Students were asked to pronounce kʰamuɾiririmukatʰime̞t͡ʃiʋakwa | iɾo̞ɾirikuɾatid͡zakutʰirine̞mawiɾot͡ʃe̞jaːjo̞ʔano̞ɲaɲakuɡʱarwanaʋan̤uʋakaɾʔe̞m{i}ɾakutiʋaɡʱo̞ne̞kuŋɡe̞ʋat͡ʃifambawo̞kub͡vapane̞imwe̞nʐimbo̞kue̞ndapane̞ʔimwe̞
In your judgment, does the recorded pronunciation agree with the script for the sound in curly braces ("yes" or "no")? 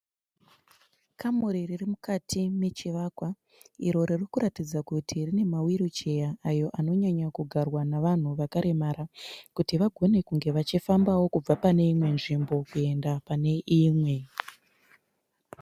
no